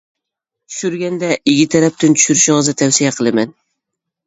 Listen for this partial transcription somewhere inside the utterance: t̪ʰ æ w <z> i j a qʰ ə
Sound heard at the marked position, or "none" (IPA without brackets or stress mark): s